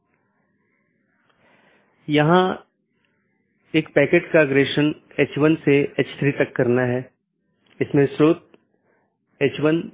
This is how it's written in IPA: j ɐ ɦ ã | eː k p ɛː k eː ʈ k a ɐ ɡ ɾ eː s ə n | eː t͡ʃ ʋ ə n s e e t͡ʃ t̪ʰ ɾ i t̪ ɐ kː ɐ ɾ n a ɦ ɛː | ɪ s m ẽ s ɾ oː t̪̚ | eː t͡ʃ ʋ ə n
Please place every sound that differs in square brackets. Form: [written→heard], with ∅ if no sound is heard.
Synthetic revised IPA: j ɐ ɦ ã | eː k p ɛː k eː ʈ k a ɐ ɡ ɾ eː [s→ʃ] ə n | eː t͡ʃ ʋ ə n s e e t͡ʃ t̪ʰ ɾ i t̪ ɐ kː ɐ ɾ n a ɦ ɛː | ɪ s m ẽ s ɾ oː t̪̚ | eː t͡ʃ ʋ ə n